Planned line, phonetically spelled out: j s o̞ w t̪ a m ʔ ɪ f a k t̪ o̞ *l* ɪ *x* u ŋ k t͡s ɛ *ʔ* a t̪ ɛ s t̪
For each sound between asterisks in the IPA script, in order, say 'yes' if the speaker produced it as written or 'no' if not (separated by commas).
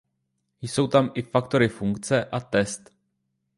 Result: no, no, yes